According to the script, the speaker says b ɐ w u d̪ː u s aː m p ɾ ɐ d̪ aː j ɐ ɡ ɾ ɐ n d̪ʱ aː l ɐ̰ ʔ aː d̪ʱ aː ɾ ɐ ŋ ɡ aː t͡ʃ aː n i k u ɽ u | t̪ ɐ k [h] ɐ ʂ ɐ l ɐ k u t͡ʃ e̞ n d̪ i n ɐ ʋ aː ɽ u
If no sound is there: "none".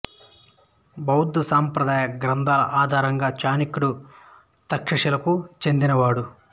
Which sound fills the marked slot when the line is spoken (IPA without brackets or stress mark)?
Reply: ʂ